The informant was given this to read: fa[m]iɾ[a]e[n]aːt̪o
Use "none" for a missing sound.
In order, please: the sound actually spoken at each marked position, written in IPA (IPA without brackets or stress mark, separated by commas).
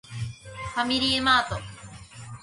m, i, m